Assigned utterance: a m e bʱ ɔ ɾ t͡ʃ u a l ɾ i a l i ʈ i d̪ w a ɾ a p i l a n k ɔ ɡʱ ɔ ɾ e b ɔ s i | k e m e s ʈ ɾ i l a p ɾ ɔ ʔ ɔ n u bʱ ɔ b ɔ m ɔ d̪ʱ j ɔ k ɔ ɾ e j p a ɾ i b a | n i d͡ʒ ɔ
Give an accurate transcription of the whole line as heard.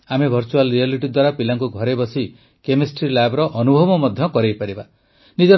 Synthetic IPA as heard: a m e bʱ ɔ ɾ t͡ʃ u a l ɾ i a l i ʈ i d̪ w a ɾ a p i l a ŋ k u ɡʱ ɔ ɾ e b ɔ s i | k e m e s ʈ ɾ i l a b ɾ ɔ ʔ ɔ n u bʱ ɔ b ɔ m ɔ d̪ʱ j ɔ k ɔ ɾ e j p a ɾ i b a | n i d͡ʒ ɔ

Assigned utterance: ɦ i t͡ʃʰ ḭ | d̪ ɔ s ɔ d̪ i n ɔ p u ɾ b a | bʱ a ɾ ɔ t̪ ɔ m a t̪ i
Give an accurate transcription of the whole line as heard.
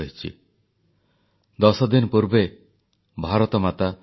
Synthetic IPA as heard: ɦ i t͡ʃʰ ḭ | d̪ ɔ s ɔ d̪ i n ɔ p u ɾ b e | bʱ a ɾ ɔ t̪ ɔ m a t̪ a

